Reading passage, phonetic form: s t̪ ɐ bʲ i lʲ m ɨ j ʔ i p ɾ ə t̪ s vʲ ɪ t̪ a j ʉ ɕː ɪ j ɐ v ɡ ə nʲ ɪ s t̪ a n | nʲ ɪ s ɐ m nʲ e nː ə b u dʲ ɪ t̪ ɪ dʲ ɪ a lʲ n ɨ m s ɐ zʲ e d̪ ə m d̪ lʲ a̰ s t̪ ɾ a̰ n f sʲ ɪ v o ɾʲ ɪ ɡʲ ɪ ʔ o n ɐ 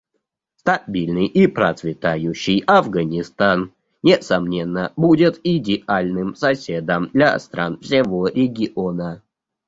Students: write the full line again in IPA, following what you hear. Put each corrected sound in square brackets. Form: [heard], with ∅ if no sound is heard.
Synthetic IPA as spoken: s t̪ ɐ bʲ i lʲ [n] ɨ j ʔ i p ɾ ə t̪ s vʲ ɪ t̪ a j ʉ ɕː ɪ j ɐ v ɡ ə nʲ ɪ s t̪ a n | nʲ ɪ s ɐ m nʲ e nː ə b u dʲ ɪ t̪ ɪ dʲ ɪ a lʲ n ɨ m s ɐ [sʲ] e d̪ ə m d̪ lʲ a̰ s t̪ ɾ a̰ n f sʲ ɪ v o ɾʲ ɪ ɡʲ ɪ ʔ o n [ə]

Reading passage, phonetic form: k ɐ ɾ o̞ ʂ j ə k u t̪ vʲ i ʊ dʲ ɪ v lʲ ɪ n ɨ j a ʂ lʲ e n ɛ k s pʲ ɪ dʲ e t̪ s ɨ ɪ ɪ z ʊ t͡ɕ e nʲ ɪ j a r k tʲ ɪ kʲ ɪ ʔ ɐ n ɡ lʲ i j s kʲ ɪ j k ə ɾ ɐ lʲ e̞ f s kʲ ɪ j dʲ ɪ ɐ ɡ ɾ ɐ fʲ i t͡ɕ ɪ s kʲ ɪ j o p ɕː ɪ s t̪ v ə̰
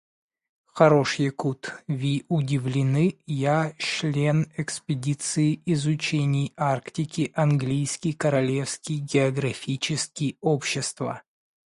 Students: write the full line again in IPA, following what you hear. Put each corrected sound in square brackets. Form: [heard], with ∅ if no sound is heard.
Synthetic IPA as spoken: [x] ɐ ɾ o̞ ʂ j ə k u t̪ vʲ i ʊ dʲ ɪ v lʲ ɪ n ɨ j a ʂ lʲ e n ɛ k s pʲ ɪ dʲ [i] t̪ s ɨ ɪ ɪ z ʊ t͡ɕ e nʲ ɪ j a r k tʲ ɪ kʲ ɪ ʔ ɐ n ɡ lʲ i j s kʲ ɪ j k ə ɾ ɐ lʲ e̞ f s kʲ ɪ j [ɡʲ] ɪ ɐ ɡ ɾ ɐ fʲ i t͡ɕ ɪ s kʲ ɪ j o p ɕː ɪ s t̪ v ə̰

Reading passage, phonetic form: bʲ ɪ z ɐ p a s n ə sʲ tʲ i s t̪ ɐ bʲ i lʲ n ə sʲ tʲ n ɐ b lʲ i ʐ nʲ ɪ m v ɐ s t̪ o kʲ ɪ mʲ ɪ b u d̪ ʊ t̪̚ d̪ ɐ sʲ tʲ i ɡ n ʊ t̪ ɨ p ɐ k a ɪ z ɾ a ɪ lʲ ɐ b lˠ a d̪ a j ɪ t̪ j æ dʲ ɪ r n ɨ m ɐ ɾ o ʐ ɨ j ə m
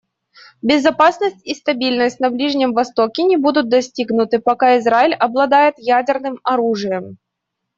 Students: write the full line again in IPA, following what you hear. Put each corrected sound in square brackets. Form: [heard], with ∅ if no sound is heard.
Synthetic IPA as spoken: bʲ ɪ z ɐ p a s n ə sʲ tʲ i s t̪ ɐ bʲ i lʲ n ə sʲ tʲ n ɐ b lʲ i ʐ nʲ ɪ m v ɐ s t̪ o kʲ ɪ [nʲ] ɪ b u d̪ ʊ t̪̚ d̪ ɐ sʲ tʲ i ɡ n ʊ t̪ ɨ p ɐ k a ɪ z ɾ a ɪ lʲ ɐ b lˠ [ɐ] d̪ a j ɪ t̪ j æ dʲ ɪ r n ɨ m ɐ ɾ [u] ʐ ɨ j ə m

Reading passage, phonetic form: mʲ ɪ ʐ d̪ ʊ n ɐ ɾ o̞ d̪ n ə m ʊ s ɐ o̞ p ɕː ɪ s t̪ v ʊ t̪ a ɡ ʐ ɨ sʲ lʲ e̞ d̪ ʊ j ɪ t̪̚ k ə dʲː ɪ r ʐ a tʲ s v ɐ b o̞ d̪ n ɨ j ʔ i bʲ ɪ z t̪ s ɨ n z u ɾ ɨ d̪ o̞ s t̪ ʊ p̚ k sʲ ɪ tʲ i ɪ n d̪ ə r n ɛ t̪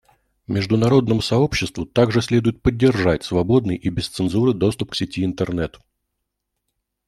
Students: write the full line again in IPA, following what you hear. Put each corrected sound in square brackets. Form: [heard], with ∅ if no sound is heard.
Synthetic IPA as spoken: mʲ ɪ ʐ d̪ ʊ n ɐ ɾ o̞ d̪ n ə m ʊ s ɐ o̞ p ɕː ɪ s t̪ v ʊ t̪ a ɡ ʐ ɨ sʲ lʲ e̞ d̪ ʊ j ɪ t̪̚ [p] ə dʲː ɪ r ʐ a tʲ s v ɐ b o̞ d̪ n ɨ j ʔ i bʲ ɪ [s] t̪ s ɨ n z u ɾ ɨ d̪ o̞ s t̪ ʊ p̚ k sʲ ɪ tʲ i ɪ n [t̪] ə r n ɛ t̪

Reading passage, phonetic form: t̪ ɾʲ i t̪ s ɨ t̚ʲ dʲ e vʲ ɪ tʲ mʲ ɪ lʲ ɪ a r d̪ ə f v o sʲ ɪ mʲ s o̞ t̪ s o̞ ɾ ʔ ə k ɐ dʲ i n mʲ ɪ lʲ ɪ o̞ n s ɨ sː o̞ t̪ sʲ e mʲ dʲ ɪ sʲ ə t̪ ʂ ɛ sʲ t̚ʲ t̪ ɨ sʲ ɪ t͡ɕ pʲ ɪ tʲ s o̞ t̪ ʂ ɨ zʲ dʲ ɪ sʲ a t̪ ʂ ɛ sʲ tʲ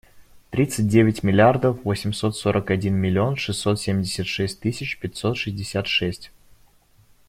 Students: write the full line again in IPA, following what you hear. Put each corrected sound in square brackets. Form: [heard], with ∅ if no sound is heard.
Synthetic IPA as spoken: t̪ ɾʲ i t̪ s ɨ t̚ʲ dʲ e vʲ ɪ tʲ mʲ ɪ lʲ ɪ a r d̪ ə f v o sʲ ɪ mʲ s o̞ t̪ s o̞ ɾ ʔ ə k ɐ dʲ i n mʲ ɪ lʲ ɪ o̞ n [ʂ] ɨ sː o̞ t̪ sʲ e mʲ dʲ ɪ sʲ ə t̪ ʂ ɛ sʲ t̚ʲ t̪ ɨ sʲ ɪ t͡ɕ pʲ ɪ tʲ s o̞ t̪ ʂ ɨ zʲ dʲ ɪ sʲ a t̪ ʂ ɛ sʲ tʲ

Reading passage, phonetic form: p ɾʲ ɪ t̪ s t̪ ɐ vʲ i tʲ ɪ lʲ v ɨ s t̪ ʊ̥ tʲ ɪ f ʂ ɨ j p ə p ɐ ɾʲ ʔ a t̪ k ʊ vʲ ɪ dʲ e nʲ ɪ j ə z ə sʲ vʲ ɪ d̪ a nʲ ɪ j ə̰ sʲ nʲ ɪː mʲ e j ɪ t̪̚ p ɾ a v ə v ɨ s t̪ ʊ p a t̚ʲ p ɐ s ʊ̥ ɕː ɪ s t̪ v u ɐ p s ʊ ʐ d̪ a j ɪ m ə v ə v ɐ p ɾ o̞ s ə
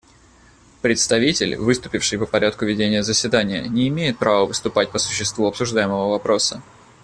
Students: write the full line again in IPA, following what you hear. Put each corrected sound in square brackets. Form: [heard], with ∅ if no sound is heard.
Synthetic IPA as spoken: p ɾʲ ɪ t̪ s t̪ ɐ vʲ i tʲ ɪ lʲ v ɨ s t̪ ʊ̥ [pʲ] ɪ f ʂ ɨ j p ə p ɐ ɾʲ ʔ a t̪ k ʊ vʲ ɪ dʲ e nʲ ɪ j ə z ə sʲ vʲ ɪ d̪ a nʲ ɪ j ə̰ [∅] nʲ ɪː mʲ e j ɪ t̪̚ p ɾ a v ə v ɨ s t̪ ʊ p a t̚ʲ p [ə] s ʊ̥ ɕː ɪ s t̪ v u ɐ p s ʊ ʐ d̪ a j ɪ m ə v ə v ɐ p ɾ o̞ s ə

